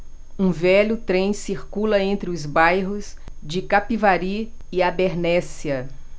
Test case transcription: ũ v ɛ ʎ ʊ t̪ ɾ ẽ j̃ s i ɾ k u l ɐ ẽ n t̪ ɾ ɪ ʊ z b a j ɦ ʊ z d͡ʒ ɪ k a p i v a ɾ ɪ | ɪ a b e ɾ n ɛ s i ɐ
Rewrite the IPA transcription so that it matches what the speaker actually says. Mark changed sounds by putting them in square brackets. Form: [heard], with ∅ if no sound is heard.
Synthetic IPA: ũ v ɛ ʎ ʊ t̪ ɾ ẽ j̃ s i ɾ k u l ɐ ẽ n t̪ ɾ ɪ ʊ z b a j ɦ ʊ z d͡ʒ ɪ k a p i v a ɾ [i] | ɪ a b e ɾ n ɛ s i ɐ